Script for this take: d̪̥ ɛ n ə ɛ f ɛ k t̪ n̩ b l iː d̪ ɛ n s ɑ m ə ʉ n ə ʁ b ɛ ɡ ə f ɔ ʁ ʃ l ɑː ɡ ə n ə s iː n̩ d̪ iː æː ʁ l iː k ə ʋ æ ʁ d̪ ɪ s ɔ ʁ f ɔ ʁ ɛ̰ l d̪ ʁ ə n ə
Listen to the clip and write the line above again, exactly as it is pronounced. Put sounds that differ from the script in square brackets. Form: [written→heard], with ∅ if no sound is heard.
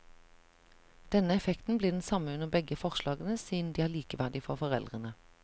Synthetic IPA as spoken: d̪̥ ɛ n ə ɛ f ɛ k t̪ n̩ b l iː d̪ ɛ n s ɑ m ə ʉ n ə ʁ b ɛ ɡ ə f ɔ ʁ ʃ l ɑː ɡ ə n ə s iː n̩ d̪ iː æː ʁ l iː k ə ʋ æ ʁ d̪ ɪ [s→f] ɔ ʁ f ɔ ʁ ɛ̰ l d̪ ʁ ə n ə